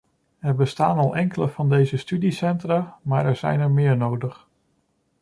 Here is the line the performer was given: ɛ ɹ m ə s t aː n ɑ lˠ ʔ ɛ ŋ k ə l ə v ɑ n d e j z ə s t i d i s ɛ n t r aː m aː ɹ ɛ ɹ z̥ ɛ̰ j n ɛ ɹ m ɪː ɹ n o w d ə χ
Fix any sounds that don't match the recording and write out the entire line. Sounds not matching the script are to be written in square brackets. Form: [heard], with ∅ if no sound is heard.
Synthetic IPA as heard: ɛ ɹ [b] ə s t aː n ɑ lˠ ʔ ɛ ŋ k ə l ə v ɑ n d e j z ə s t [y] d i s ɛ n t r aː m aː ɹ ɛ ɹ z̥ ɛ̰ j n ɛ ɹ m ɪː ɹ n o w d ə χ